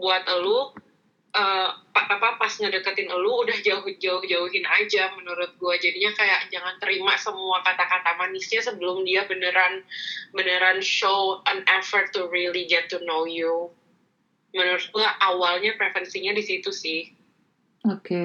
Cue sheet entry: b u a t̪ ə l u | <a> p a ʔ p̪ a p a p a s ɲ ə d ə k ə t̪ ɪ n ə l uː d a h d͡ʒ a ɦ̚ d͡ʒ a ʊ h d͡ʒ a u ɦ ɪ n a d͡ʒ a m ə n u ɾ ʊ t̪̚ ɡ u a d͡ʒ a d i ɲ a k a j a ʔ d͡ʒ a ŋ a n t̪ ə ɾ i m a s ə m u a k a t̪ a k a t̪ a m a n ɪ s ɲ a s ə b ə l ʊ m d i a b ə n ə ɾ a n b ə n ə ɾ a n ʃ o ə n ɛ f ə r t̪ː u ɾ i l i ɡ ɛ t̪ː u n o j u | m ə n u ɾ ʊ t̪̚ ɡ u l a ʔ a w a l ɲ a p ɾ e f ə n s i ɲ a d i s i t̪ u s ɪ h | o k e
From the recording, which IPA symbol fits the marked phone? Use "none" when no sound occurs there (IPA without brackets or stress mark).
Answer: ə